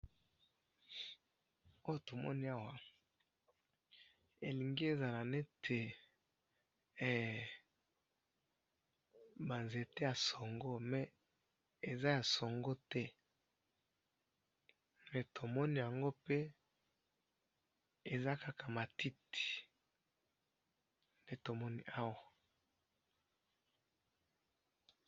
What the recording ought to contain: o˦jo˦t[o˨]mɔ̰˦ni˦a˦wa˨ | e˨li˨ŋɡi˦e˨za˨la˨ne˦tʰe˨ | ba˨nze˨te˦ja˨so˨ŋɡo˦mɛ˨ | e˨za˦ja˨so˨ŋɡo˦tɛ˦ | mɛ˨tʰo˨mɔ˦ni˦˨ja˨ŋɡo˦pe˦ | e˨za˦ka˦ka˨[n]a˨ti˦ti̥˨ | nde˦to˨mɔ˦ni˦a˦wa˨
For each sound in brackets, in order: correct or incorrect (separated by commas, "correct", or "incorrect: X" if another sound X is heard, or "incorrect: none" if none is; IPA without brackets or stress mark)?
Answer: correct, incorrect: m